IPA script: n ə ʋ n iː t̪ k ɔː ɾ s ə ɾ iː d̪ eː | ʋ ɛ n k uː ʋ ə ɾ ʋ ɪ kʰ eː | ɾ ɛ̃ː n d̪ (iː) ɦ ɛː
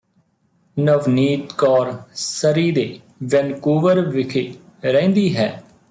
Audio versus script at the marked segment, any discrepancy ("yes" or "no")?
no